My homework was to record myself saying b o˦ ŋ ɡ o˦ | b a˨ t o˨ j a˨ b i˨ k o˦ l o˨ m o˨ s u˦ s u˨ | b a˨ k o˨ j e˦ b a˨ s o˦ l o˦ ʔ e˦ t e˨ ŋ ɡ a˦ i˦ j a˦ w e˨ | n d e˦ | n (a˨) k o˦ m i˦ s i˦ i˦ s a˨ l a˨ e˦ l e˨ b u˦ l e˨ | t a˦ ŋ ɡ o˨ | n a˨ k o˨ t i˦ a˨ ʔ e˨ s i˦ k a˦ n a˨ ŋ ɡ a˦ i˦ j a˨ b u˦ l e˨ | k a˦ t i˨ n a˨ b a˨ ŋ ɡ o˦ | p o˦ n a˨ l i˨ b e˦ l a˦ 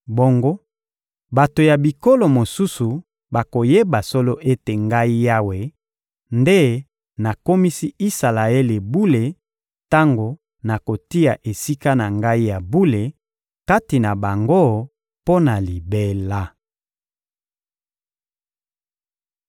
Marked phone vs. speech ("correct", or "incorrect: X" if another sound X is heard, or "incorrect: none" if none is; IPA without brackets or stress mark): correct